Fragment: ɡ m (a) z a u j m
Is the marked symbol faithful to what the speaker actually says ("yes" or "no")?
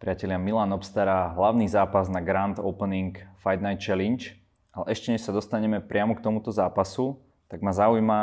yes